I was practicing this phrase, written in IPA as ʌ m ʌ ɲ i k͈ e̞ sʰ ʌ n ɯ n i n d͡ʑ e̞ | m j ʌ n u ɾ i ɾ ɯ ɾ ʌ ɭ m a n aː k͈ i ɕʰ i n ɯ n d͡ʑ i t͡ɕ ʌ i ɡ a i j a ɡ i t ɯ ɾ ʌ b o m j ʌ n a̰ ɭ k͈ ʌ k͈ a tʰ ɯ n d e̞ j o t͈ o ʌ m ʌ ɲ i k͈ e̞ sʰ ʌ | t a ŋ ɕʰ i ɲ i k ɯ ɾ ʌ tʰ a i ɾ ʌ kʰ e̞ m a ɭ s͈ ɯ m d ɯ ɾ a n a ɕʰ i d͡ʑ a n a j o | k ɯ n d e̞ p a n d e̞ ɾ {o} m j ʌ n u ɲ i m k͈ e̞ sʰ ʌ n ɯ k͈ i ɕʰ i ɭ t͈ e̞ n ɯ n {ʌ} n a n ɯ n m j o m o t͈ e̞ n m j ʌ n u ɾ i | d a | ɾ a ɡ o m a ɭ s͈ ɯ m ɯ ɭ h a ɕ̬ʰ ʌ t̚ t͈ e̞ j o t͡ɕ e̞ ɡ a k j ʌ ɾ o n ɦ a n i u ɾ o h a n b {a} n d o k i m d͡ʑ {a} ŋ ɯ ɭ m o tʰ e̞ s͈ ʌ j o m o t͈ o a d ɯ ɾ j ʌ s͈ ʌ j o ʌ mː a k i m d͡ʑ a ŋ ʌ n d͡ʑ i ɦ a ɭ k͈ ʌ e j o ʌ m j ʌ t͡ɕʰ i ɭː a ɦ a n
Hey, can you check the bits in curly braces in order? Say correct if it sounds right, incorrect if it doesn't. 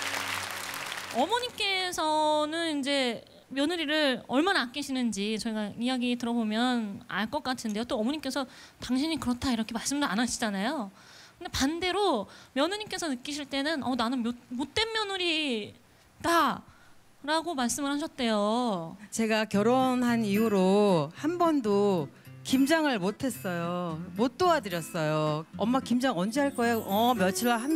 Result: correct, correct, incorrect: ʌ, correct

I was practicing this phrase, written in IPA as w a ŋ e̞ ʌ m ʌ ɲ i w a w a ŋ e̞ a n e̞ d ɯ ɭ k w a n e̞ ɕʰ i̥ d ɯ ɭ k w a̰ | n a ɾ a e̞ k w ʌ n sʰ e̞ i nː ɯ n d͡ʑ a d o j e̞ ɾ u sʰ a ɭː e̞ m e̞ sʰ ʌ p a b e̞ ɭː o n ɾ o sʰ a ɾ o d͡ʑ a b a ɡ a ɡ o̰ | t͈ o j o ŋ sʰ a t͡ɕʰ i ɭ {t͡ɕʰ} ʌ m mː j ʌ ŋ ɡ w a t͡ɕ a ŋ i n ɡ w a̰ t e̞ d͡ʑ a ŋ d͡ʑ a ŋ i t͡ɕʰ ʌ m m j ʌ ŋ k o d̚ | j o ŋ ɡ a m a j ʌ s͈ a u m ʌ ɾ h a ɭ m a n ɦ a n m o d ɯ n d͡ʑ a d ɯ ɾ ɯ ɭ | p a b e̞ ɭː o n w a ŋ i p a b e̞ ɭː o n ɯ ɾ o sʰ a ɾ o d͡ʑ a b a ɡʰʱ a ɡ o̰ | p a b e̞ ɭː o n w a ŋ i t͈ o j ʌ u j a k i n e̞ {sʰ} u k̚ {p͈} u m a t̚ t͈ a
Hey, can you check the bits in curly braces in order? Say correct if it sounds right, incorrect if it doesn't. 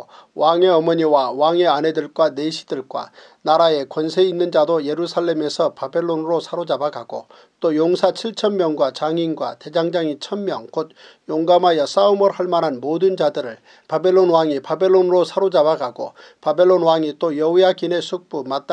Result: correct, correct, correct

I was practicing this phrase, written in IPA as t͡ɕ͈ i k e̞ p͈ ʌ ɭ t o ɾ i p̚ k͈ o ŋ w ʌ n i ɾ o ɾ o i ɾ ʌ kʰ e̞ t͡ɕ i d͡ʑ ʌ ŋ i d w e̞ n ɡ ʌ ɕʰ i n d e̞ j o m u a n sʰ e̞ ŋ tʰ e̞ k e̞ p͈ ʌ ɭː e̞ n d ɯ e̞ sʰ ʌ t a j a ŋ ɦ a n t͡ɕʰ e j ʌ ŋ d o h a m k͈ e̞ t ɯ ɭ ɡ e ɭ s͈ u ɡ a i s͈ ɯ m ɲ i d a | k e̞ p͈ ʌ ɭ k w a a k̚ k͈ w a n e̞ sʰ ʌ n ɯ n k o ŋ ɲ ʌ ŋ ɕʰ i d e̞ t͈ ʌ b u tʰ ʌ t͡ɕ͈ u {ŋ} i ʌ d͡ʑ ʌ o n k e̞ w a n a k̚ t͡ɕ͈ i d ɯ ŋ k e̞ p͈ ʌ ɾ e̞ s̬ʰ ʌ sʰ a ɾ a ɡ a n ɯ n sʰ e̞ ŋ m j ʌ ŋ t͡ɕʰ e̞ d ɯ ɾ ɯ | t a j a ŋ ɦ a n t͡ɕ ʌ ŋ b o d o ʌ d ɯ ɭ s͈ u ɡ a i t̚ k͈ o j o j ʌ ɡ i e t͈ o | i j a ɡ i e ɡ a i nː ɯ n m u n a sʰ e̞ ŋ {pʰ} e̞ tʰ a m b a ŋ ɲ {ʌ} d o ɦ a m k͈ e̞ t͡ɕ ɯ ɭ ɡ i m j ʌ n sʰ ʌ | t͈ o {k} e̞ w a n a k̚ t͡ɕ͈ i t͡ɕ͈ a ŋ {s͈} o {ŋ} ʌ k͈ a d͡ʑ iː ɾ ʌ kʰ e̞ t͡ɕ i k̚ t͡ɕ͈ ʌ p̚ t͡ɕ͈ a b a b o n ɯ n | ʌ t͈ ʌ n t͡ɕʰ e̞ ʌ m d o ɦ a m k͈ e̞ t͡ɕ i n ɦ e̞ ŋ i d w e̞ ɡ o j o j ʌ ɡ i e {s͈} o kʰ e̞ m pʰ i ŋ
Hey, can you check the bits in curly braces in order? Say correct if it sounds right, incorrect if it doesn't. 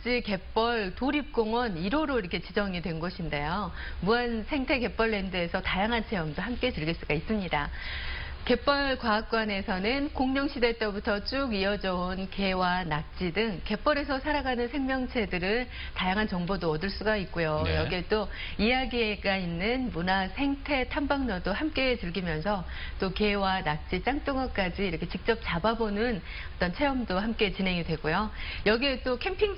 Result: incorrect: ɡ, incorrect: tʰ, correct, correct, incorrect: t͈, correct, incorrect: t͈

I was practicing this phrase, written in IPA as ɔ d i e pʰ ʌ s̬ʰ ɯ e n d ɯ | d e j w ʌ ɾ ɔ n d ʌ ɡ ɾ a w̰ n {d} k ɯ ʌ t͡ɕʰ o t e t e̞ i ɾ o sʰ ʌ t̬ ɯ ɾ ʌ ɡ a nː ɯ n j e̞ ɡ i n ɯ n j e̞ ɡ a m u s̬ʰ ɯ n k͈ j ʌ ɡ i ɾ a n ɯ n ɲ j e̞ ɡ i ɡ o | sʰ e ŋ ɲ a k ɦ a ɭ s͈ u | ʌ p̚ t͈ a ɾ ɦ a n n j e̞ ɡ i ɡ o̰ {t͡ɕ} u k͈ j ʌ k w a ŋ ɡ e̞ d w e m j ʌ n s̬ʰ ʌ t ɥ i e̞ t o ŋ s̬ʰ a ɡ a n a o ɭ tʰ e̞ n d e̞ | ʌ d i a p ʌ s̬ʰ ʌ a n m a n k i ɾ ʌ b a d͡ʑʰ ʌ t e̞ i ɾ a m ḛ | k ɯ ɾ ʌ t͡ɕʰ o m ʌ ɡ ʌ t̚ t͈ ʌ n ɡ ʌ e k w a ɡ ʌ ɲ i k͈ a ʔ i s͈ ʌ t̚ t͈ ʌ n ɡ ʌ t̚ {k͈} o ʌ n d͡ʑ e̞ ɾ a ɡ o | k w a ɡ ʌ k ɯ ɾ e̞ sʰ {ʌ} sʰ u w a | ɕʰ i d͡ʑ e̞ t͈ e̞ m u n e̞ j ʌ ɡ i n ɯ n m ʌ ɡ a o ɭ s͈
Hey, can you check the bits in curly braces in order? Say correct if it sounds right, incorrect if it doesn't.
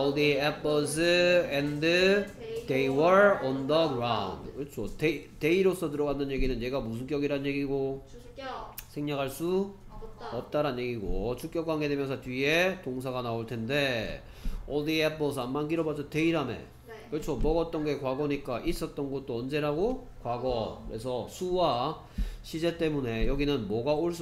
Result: correct, incorrect: t͡ɕʰ, incorrect: t͈, correct

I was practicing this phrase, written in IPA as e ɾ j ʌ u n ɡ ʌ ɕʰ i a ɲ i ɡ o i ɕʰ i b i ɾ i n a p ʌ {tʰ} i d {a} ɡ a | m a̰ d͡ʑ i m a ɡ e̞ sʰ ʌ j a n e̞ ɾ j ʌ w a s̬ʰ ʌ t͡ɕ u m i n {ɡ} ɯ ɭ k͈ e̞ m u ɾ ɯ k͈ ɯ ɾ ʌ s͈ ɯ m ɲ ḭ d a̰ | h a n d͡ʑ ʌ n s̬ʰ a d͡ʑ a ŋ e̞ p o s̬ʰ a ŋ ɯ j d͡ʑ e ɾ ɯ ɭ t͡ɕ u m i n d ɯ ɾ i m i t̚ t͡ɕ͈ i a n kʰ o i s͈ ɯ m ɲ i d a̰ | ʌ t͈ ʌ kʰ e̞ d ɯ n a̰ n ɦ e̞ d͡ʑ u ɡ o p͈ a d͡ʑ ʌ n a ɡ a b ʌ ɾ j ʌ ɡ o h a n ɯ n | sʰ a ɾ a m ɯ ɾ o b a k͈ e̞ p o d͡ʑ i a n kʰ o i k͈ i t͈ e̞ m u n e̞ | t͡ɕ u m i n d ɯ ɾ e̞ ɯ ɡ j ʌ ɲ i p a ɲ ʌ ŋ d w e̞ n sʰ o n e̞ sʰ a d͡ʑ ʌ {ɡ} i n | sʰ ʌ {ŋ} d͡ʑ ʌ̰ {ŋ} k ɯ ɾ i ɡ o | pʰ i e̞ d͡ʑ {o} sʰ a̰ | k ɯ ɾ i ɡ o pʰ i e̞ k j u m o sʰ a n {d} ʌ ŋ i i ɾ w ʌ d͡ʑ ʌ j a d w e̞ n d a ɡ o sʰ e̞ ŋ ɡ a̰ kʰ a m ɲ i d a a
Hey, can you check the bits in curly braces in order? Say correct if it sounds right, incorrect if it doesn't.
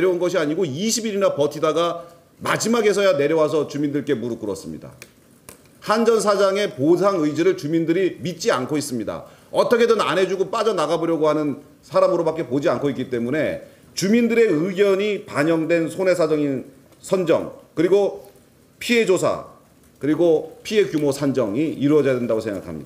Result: correct, correct, incorrect: d, incorrect: ŋ, incorrect: n, correct, correct, incorrect: d͡ʑ

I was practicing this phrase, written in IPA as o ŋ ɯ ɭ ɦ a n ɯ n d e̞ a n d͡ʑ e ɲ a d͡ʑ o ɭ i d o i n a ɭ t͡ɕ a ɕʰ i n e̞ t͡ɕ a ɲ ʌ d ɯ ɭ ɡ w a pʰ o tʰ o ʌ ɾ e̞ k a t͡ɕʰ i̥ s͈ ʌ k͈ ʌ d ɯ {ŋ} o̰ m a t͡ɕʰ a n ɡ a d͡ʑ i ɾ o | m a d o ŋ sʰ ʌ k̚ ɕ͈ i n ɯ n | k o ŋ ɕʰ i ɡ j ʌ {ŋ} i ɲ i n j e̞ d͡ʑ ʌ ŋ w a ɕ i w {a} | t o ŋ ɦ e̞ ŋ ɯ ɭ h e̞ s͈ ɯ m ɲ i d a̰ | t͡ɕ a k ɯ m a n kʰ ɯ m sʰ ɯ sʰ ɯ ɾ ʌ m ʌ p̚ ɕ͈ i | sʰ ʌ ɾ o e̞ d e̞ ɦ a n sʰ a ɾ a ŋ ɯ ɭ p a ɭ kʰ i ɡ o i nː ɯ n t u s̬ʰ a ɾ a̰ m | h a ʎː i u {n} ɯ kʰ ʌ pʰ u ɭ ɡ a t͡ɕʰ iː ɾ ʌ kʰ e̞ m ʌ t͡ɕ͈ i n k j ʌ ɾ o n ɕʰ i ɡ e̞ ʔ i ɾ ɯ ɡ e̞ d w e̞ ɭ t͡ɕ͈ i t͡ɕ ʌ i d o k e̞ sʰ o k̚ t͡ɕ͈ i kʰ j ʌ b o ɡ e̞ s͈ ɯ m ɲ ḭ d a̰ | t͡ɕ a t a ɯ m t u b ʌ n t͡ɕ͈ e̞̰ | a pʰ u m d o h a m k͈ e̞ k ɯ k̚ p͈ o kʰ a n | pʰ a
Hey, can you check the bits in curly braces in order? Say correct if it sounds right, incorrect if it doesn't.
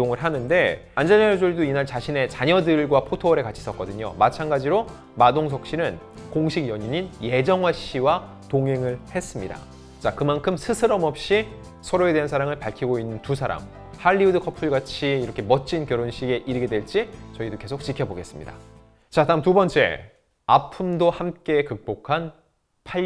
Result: incorrect: ɲ, incorrect: ɲ, correct, incorrect: d

